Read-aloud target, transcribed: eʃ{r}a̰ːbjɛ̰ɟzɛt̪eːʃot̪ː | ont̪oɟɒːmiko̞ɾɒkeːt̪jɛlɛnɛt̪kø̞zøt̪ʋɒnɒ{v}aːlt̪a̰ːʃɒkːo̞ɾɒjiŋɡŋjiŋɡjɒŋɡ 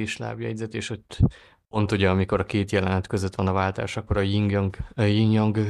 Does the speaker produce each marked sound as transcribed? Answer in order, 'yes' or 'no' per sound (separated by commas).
no, yes